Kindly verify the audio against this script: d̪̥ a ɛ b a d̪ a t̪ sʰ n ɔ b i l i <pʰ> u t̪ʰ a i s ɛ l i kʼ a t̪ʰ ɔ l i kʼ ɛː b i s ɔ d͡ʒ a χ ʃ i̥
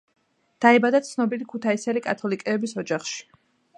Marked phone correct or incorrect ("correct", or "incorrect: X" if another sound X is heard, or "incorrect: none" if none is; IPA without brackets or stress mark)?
incorrect: kʰ